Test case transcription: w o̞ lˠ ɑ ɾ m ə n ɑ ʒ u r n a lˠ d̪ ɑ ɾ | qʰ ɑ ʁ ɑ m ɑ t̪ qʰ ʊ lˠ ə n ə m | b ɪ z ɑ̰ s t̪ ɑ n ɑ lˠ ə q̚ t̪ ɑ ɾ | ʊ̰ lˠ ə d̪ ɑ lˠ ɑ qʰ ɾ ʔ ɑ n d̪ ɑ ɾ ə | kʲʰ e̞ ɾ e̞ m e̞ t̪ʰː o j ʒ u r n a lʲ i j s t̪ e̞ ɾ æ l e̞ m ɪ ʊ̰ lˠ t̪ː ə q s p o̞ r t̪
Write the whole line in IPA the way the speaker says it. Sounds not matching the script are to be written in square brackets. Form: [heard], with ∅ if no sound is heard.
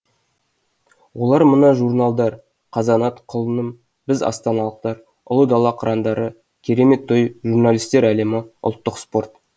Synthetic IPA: w o̞ lˠ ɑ ɾ m ə n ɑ ʒ u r n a lˠ d̪ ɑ ɾ | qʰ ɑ [z] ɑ [n] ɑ t̪ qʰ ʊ lˠ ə n ə m | b ɪ z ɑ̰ s t̪ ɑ n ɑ lˠ ə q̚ t̪ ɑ ɾ | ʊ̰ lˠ ə d̪ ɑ lˠ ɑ qʰ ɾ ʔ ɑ n d̪ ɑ ɾ ə | kʲʰ e̞ ɾ e̞ m e̞ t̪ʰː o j ʒ u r n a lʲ i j s t̪ e̞ ɾ æ l e̞ m ɪ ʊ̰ lˠ t̪ː ə q s p o̞ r t̪

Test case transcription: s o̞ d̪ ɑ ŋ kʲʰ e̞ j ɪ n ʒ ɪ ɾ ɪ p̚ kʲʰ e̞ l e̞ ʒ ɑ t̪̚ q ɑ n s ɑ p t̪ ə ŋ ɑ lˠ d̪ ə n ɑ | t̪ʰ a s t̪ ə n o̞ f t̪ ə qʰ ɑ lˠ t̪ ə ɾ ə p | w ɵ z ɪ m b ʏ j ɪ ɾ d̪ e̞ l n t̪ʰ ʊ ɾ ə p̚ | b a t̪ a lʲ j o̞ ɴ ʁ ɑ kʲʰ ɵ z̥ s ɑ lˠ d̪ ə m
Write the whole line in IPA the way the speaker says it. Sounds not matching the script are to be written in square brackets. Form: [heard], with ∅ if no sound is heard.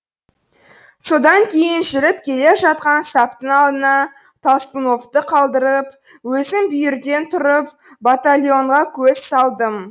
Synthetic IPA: s o̞ d̪ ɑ ŋ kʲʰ e̞ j ɪ n ʒ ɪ ɾ ɪ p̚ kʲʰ e̞ l e̞ ʒ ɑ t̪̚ q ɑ n s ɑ p t̪ ə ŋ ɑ lˠ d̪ ə n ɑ | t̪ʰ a s t̪ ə n o̞ f t̪ ə qʰ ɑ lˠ [d̪] ə ɾ ə p | w ɵ z ɪ m b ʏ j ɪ ɾ d̪ e̞ [∅] n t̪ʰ ʊ ɾ ə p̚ | b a t̪ a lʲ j o̞ ɴ ʁ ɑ kʲʰ ɵ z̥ s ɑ lˠ d̪ ə m

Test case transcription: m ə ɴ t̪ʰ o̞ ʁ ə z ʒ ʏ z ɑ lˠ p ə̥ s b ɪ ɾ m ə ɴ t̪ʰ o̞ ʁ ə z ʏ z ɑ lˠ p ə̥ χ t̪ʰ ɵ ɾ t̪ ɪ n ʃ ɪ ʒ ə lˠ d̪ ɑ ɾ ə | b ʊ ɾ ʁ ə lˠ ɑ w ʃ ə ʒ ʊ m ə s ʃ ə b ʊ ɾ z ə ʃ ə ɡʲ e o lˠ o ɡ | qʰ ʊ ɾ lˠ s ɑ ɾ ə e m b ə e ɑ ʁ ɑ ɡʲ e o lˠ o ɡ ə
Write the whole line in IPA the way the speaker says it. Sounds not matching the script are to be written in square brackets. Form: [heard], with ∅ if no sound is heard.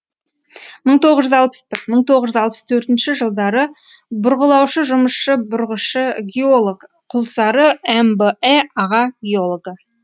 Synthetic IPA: m ə ɴ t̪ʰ o̞ ʁ ə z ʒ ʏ z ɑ lˠ p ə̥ s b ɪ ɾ m ə ɴ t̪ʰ o̞ ʁ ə [ʒ] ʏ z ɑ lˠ p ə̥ [s] t̪ʰ ɵ ɾ t̪ ɪ n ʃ ɪ ʒ ə lˠ d̪ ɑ ɾ ə | b ʊ ɾ ʁ ə lˠ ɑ w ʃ ə ʒ ʊ m ə s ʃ ə b ʊ ɾ [ʁ] ə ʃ ə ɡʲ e o lˠ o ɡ | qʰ ʊ [∅] lˠ s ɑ ɾ ə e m b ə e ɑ ʁ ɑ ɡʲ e o lˠ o ɡ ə

